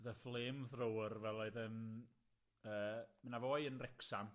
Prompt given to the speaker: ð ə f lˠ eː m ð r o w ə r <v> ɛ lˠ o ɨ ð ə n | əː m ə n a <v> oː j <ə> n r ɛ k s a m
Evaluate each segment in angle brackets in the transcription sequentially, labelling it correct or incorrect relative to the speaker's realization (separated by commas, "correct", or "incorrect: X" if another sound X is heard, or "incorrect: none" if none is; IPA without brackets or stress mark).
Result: correct, correct, correct